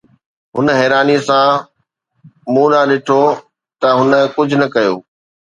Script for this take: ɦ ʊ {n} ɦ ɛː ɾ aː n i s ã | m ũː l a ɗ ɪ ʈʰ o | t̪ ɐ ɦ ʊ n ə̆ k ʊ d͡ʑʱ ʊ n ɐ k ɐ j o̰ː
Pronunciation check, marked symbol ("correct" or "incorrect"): correct